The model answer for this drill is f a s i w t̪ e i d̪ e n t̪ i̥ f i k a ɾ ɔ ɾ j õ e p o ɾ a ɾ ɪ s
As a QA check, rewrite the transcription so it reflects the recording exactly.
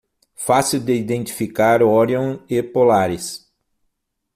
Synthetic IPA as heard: f a s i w d̪ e i d̪ ẽ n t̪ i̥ f i k a ɾ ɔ ɾ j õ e p o l a ɾ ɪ s